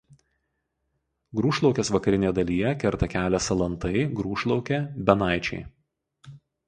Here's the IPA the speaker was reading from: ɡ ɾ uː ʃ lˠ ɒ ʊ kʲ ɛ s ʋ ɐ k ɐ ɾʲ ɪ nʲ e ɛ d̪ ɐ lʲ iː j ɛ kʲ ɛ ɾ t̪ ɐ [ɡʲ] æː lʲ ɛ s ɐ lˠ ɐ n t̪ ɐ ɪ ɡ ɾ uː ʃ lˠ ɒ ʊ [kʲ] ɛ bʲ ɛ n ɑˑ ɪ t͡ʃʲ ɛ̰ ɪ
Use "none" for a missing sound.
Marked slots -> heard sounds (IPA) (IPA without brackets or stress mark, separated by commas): kʲ, kʲ